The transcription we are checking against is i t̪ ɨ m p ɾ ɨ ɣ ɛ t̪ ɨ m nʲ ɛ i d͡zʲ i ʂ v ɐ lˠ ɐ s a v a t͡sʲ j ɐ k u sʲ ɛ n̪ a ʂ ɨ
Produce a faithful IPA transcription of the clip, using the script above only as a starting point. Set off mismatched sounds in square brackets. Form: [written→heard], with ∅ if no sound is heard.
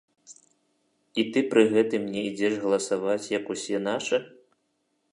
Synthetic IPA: i t̪ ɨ [m→∅] p ɾ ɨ ɣ ɛ t̪ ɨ m nʲ ɛ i d͡zʲ [i→ɛ] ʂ [v→ɣ] ɐ lˠ ɐ s a v a t͡sʲ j ɐ k u sʲ ɛ n̪ a ʂ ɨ